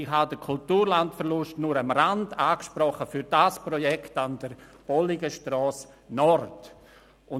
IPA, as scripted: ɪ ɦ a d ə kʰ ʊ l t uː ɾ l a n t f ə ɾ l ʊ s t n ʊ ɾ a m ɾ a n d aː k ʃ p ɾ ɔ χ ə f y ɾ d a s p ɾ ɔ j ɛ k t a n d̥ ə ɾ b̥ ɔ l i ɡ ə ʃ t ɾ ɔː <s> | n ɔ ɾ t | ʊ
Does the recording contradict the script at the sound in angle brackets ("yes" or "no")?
no